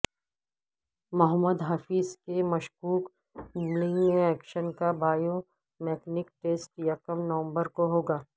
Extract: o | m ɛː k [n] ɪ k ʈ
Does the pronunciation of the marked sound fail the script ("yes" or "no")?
no